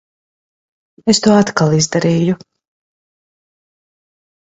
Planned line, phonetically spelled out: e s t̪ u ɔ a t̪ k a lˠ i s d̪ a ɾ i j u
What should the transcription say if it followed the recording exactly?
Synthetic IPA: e s t̪ u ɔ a t̪ k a lˠ i z d̪ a ɾ iː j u